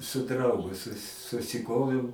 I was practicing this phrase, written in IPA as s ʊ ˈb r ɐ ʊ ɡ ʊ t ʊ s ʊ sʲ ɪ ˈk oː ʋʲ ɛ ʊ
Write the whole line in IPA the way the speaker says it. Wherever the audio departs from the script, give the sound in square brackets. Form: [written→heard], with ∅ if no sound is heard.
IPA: s ʊ [ˈb→ˈd] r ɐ ʊ ɡ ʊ [t→s] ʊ s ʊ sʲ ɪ ˈk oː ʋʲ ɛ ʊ